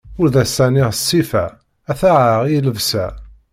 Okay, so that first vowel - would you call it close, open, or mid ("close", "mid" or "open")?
close